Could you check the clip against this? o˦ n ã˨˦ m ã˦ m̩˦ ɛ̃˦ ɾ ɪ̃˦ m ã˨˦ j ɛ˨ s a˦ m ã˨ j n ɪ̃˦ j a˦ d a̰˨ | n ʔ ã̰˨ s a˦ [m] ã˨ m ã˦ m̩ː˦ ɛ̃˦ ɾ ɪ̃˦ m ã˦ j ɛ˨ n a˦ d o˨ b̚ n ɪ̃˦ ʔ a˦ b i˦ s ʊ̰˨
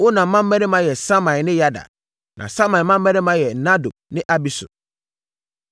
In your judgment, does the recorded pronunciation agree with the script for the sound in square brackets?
yes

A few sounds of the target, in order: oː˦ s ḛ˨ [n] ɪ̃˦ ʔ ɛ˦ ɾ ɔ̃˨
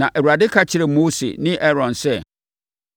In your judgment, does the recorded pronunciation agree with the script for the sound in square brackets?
yes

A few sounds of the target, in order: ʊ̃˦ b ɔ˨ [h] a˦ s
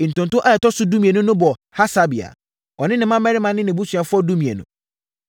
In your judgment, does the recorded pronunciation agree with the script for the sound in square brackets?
yes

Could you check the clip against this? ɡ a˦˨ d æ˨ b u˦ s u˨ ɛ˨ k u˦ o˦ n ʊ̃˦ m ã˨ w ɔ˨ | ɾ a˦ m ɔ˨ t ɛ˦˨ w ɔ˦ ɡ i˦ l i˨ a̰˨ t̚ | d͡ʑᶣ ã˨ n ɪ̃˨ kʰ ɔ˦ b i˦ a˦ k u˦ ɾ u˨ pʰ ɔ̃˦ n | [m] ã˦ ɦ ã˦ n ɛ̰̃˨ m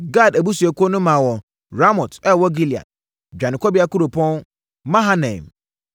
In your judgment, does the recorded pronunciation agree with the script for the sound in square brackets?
yes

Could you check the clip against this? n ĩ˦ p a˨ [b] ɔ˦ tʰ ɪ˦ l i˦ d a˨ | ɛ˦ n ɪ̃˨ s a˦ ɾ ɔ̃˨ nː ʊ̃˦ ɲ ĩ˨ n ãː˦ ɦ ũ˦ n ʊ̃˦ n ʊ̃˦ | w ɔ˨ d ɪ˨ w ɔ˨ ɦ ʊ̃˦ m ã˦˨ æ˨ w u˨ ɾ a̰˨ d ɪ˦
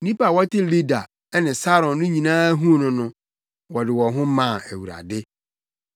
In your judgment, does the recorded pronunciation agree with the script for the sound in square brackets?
no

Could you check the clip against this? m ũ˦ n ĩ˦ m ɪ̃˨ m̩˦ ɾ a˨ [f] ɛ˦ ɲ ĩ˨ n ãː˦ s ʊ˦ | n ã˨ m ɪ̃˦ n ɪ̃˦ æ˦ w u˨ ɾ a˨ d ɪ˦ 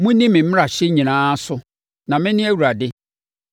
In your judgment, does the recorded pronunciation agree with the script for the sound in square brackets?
no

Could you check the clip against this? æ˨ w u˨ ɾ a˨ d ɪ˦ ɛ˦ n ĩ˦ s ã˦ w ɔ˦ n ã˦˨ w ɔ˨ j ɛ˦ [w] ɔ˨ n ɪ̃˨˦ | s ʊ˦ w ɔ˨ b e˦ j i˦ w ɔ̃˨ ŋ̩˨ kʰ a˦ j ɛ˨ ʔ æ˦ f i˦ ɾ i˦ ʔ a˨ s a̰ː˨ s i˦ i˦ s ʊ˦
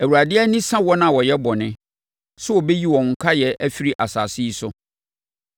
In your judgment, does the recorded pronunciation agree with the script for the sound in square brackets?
no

